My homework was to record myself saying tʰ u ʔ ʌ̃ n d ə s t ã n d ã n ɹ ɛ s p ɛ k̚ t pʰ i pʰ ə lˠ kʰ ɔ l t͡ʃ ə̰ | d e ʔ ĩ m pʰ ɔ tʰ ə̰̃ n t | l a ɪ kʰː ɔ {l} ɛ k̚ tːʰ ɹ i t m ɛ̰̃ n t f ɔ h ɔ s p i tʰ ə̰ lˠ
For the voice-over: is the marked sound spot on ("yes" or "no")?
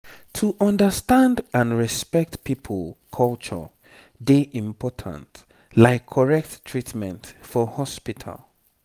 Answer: no